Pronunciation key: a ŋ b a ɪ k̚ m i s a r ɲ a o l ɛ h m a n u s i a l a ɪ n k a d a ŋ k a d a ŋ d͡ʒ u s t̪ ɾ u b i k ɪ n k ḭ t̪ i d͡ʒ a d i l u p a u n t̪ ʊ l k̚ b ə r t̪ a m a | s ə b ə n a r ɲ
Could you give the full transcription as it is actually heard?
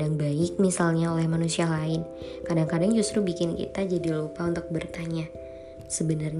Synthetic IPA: a ŋ b a ɪ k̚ m i s a l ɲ a o l ɛ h m a n u s i a l a ɪ n k a d a ŋ k a d a ŋ d͡ʒ u s t̪ ɾ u b i k ɪ n k ḭ t̪ a d͡ʒ a d i l u p a u n t̪ ʊ k̚ b ə r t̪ a ɲ a | s ə b ə n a r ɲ